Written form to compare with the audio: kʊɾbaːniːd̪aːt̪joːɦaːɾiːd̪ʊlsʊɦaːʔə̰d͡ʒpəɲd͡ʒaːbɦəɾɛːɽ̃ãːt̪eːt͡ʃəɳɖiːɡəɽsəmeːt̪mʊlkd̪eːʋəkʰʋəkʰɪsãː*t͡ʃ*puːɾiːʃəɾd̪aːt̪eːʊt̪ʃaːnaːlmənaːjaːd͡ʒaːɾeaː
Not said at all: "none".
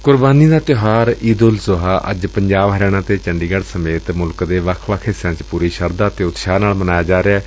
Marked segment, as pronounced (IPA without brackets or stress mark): t͡ʃ